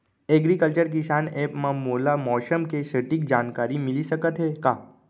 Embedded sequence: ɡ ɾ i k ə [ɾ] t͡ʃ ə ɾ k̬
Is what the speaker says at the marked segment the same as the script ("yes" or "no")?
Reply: no